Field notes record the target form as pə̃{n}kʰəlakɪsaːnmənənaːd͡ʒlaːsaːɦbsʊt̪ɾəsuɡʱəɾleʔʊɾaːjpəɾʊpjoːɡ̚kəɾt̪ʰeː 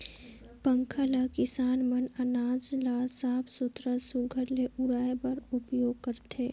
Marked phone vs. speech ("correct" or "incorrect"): incorrect